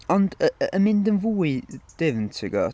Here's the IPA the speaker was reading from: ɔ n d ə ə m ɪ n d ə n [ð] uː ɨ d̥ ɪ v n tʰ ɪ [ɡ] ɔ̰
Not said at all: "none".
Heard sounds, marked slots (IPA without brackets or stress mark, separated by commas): v, ɡ